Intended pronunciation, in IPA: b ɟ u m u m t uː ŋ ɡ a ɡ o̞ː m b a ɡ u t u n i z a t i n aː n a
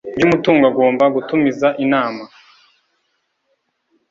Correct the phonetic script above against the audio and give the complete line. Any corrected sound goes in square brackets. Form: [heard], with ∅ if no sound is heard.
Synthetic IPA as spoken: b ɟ u m u [∅] t uː ŋ ɡ a ɡ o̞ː m b a ɡ u t u [m] i z a [ʔ] i n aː [m] a